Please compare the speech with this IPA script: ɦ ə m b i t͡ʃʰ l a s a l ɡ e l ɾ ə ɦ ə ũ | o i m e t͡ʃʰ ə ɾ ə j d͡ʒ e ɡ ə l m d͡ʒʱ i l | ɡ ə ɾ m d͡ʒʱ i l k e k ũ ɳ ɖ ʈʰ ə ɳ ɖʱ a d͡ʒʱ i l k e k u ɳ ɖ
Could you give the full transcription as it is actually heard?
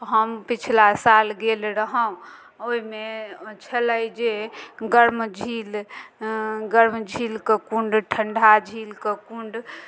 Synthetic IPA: ɦ ə m p i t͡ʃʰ l a s a l ɡ e l ɾ ə ɦ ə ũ | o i m e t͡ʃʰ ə l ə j d͡ʒ e ɡ ə ɾ m d͡ʒʱ i l | ɡ ə ɾ m d͡ʒʱ i l k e k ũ ɳ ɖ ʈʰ ə ɳ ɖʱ a d͡ʒʱ i l k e k u ɳ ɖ